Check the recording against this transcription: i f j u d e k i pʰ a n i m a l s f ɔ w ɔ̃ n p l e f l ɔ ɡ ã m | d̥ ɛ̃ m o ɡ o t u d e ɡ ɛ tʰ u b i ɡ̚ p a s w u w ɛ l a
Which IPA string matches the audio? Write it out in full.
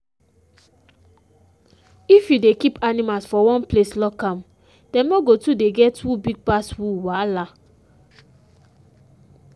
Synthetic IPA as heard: i f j u d e k i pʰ a n i m a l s f ɔ w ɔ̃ n p l e s l ɔ k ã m | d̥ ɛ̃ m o ɡ o t u d e ɡ ɛ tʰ u b i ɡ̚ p a s w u w a l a